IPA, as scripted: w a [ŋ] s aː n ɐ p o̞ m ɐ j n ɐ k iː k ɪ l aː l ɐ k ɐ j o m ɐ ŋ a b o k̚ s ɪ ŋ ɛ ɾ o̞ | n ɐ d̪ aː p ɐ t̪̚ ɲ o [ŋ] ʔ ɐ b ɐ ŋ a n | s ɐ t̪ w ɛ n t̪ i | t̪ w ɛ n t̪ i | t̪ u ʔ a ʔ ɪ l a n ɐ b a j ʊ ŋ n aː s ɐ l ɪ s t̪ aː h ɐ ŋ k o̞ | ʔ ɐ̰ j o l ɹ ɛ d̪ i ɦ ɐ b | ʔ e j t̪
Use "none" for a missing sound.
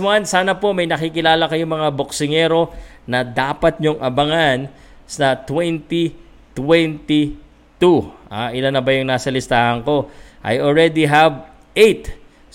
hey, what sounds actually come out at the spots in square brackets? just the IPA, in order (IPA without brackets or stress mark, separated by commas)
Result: n, ŋ